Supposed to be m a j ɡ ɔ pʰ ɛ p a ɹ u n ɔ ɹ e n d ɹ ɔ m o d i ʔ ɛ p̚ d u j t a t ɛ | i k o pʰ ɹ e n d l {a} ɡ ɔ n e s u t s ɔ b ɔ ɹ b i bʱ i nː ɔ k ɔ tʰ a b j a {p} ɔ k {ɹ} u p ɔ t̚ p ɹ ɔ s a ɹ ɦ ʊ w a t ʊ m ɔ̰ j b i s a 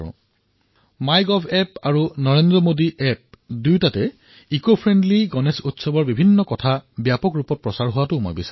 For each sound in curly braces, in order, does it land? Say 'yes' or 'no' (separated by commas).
no, yes, yes